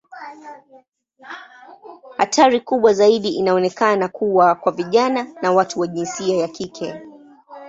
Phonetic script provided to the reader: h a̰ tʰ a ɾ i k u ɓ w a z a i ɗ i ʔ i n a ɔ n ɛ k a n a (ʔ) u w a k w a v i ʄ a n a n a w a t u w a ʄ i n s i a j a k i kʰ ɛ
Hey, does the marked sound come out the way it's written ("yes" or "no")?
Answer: no